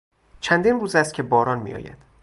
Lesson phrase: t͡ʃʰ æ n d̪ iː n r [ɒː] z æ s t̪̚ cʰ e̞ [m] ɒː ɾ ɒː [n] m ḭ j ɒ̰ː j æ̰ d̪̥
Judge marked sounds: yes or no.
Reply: no, no, yes

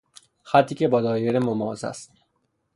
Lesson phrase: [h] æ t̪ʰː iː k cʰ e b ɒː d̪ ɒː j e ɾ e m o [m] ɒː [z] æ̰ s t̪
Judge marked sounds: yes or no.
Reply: no, yes, yes

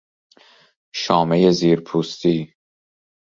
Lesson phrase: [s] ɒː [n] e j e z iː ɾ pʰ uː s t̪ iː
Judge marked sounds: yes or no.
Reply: no, no

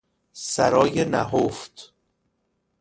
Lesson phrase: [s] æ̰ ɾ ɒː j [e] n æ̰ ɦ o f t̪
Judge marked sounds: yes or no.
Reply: yes, yes

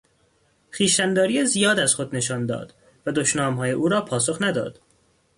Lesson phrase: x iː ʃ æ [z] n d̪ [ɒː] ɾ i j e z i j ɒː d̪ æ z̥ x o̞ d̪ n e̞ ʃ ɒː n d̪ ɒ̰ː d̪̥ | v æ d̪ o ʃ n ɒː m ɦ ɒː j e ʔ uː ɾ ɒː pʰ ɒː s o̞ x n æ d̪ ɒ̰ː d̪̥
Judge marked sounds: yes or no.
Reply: no, yes

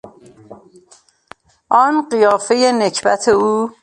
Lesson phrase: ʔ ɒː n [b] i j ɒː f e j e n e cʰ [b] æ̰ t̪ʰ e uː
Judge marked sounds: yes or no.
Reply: no, yes

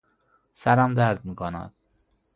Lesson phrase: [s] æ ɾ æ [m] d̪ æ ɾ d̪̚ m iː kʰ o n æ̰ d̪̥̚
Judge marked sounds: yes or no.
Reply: yes, yes

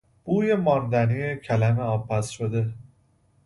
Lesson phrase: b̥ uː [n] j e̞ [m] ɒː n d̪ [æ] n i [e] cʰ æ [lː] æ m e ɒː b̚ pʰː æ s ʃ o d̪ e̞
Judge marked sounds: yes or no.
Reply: no, yes, yes, yes, no

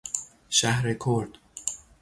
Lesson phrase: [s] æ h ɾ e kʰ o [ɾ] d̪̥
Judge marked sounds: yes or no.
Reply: no, yes

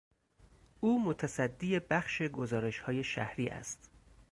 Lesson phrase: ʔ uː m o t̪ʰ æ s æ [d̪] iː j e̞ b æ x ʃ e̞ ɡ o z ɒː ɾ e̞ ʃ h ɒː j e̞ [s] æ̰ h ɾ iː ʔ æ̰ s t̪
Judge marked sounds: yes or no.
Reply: no, no

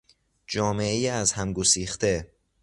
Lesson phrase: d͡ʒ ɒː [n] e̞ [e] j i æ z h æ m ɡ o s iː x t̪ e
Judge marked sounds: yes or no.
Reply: no, yes

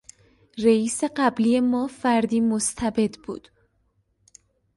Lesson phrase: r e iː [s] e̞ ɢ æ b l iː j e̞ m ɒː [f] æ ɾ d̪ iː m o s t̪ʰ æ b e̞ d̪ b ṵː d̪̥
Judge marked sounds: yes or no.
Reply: yes, yes

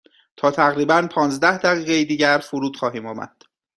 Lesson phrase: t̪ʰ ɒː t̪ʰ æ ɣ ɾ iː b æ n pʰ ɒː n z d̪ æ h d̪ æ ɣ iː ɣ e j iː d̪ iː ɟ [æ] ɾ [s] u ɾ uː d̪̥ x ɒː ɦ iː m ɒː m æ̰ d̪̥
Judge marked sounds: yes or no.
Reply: yes, no

